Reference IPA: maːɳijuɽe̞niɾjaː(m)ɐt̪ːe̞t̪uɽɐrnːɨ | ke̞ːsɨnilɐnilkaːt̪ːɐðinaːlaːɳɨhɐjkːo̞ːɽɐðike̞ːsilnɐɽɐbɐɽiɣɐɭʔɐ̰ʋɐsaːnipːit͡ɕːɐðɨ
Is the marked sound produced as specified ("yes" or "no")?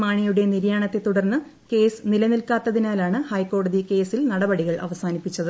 no